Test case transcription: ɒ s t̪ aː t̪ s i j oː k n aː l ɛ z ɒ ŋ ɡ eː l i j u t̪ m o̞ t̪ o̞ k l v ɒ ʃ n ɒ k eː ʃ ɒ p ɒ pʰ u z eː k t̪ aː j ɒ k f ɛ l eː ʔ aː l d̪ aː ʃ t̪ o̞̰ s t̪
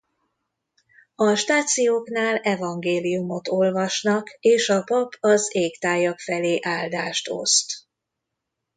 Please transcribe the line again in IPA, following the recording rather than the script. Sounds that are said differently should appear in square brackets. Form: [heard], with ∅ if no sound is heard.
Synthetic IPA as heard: ɒ [ʃ] t̪ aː t̪ s i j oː k n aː l ɛ [v] ɒ ŋ ɡ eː l i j u [∅] m o̞ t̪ o̞ [∅] l v ɒ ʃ n ɒ k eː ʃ ɒ p ɒ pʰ [ɒ] z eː k t̪ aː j ɒ k f ɛ l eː ʔ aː l d̪ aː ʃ t̪ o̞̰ s t̪